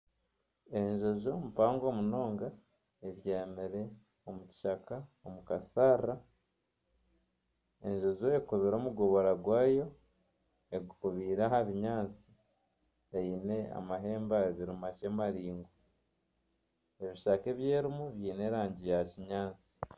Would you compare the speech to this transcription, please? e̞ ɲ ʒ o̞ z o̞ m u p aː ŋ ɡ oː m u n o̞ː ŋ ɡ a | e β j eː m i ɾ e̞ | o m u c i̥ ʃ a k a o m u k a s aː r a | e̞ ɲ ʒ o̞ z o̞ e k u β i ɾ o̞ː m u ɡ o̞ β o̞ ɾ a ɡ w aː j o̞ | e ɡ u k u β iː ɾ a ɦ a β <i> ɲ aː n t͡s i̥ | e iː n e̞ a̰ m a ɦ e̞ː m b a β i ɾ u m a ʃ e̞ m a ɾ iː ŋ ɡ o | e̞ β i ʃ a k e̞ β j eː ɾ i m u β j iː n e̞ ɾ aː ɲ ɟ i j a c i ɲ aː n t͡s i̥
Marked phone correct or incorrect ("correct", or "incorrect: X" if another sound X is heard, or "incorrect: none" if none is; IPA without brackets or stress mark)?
correct